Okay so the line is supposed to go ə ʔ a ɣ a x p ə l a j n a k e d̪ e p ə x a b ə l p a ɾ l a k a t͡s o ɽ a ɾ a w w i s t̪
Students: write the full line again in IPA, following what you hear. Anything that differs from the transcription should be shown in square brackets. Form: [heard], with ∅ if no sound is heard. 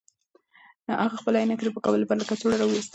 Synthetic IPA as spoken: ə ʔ a ɣ a x p ə l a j n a k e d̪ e p ə [k] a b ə l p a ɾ l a k a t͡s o ɽ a ɾ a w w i s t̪